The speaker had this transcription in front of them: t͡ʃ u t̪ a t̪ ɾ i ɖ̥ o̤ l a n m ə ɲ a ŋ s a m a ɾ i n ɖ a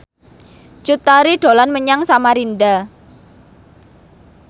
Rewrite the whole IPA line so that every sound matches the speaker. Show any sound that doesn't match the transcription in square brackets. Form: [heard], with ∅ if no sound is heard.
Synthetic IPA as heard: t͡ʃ u t̪ a [∅] ɾ i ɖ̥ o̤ l a n m ə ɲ a ŋ s a m a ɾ i n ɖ a